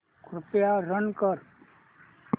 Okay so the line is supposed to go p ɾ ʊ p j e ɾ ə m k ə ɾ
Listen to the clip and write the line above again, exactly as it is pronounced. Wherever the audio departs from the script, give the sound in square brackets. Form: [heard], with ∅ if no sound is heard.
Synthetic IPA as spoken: [k] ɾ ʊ p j [a] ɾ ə [n] k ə ɾ